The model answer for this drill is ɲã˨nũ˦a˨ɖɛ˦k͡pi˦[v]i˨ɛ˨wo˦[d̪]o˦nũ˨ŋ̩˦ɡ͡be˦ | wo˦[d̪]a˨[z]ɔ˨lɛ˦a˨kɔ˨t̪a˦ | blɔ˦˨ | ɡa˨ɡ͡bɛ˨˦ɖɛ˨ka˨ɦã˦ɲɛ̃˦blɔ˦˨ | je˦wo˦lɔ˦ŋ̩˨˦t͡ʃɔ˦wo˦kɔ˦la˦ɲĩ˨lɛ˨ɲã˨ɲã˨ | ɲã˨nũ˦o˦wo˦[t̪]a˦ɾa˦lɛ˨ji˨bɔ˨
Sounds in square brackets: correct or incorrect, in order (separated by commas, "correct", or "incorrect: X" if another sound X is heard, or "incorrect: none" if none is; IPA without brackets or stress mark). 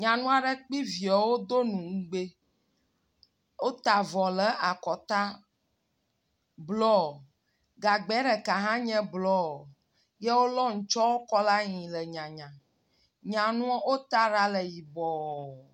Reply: correct, correct, incorrect: t̪, incorrect: v, correct